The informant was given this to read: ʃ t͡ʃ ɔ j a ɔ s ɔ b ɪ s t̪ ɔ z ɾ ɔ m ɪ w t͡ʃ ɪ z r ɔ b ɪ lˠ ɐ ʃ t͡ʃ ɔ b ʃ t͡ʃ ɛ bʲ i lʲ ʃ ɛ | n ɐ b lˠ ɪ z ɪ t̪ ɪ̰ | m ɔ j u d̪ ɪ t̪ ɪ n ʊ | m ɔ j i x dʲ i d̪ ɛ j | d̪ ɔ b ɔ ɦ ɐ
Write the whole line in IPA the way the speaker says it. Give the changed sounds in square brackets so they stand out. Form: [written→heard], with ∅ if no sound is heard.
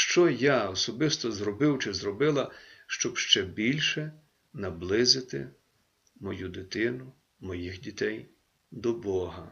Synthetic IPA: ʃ t͡ʃ ɔ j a ɔ s ɔ b ɪ s t̪ ɔ z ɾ ɔ [m→b] ɪ w t͡ʃ ɪ z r ɔ b ɪ lˠ ɐ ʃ t͡ʃ ɔ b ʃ t͡ʃ ɛ bʲ i lʲ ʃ ɛ | n ɐ b lˠ ɪ z ɪ t̪ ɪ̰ | m ɔ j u d̪ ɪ t̪ ɪ n ʊ | m ɔ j i x dʲ i [d̪→t̪] ɛ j | d̪ ɔ b ɔ ɦ ɐ